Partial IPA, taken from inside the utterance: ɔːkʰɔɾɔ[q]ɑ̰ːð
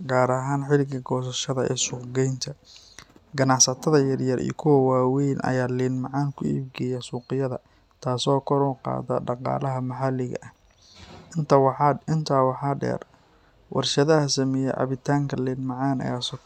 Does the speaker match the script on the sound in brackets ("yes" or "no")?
yes